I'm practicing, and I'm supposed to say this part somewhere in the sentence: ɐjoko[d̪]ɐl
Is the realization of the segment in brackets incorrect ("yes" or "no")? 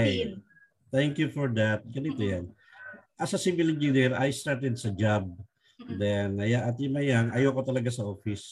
yes